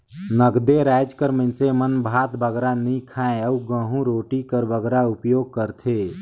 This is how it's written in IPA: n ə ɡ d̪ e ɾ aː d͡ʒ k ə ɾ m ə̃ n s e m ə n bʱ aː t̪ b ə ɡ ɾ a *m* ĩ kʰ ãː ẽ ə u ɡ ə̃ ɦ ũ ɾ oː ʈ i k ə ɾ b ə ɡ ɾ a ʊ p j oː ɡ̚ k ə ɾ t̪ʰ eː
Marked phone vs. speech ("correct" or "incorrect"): incorrect